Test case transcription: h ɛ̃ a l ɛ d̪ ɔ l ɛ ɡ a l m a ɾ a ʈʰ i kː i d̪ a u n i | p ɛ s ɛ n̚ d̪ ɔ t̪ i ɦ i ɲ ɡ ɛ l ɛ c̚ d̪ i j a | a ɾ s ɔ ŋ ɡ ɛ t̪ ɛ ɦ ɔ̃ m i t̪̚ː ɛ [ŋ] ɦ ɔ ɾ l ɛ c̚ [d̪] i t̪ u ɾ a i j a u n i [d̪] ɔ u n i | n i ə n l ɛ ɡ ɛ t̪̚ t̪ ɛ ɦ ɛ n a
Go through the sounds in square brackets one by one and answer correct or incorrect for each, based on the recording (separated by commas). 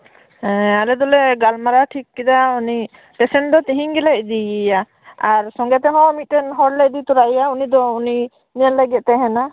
incorrect, correct, correct